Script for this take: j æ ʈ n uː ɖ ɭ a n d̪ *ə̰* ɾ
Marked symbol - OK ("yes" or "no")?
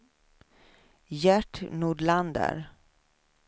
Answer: yes